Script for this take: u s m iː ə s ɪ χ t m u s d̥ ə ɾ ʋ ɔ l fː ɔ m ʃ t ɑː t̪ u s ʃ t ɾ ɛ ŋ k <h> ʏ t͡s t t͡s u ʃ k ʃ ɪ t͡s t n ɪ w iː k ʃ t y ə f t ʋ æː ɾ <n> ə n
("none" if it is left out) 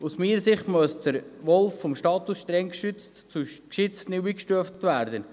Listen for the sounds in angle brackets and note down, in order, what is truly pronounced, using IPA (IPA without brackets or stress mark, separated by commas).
ʃ, d